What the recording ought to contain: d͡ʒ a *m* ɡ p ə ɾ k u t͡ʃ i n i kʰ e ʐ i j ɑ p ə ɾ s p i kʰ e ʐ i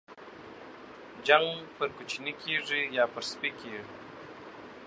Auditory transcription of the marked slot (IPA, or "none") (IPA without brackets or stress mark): ŋ